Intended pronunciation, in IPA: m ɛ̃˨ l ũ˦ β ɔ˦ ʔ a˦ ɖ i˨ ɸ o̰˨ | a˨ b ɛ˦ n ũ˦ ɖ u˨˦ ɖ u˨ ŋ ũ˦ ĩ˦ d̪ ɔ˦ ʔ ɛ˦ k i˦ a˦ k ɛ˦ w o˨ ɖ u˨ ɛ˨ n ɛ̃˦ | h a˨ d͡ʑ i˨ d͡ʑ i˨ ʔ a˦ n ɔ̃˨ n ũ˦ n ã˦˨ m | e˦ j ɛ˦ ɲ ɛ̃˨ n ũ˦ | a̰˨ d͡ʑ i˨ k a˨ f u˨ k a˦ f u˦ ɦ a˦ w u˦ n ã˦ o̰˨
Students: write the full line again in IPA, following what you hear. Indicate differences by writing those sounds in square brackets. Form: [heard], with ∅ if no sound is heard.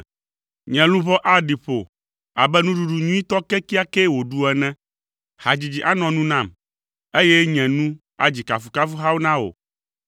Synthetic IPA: [ɲ] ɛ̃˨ l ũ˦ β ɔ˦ ʔ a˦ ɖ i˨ ɸ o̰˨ | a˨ b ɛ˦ n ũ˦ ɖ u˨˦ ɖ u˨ [ɲ] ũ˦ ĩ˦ [t̪] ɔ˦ [k] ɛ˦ k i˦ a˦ k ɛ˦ w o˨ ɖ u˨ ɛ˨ n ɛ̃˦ | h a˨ d͡ʑ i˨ d͡ʑ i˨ ʔ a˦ n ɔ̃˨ n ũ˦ n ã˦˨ m | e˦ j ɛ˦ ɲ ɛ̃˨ n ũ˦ | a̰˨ d͡ʑ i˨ k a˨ f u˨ k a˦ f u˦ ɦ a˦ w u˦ n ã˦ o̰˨

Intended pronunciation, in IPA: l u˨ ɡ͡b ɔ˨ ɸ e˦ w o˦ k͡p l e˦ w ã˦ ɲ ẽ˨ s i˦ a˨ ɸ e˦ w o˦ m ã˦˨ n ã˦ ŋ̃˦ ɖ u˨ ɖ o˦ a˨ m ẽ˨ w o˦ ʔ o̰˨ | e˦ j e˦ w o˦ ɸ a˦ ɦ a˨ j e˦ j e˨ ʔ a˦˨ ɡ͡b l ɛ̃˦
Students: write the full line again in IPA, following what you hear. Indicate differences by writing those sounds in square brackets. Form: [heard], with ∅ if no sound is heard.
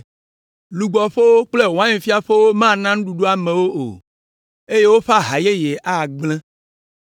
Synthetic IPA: l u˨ ɡ͡b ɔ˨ ɸ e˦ w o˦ k͡p l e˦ w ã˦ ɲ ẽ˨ [f] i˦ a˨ ɸ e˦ w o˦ m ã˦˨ n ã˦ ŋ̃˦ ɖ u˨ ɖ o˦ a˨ m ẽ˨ w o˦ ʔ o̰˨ | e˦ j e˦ w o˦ ɸ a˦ ɦ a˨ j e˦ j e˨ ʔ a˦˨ ɡ͡b l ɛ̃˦

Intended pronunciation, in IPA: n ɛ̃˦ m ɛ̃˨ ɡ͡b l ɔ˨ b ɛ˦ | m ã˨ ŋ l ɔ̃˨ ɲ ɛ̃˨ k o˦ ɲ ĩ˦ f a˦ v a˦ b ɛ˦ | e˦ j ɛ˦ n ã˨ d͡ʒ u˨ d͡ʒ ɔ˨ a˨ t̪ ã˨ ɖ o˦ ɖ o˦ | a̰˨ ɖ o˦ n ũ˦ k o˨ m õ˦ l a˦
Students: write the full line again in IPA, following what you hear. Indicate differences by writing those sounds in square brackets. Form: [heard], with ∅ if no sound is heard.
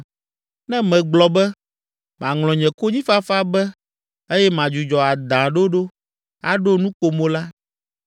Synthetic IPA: n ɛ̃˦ m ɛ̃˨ ɡ͡b l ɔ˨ b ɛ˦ | m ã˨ ŋ l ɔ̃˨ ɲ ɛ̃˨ k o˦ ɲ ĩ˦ f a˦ [f] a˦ b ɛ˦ | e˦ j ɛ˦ [m] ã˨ d͡ʒ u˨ d͡ʒ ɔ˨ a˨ [d̪] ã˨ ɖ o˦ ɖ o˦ | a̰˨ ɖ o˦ n ũ˦ k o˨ m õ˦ l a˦

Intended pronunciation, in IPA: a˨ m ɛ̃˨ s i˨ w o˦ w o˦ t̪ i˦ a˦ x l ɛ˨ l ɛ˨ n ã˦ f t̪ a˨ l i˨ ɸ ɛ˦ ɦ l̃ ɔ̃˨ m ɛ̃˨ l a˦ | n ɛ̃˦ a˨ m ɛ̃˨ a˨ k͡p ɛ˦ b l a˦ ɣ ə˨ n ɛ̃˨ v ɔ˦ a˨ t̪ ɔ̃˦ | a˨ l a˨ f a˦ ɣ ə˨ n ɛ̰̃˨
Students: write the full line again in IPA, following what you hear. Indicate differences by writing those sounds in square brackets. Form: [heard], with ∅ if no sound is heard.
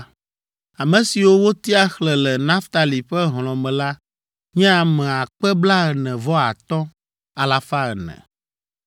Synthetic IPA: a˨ m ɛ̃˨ s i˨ w o˦ w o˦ t̪ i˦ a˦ x l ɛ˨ l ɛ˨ n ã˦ f t̪ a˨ l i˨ ɸ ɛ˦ ɦ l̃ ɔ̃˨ m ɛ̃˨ l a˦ | [ɲ] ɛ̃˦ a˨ m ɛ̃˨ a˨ k͡p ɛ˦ b l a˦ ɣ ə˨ n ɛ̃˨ v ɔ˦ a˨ t̪ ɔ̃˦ | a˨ l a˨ f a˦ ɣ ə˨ n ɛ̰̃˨

